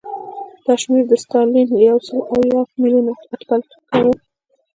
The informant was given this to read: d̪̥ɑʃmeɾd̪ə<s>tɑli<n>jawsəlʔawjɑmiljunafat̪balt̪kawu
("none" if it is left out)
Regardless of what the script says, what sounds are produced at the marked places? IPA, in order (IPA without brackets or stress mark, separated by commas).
s, n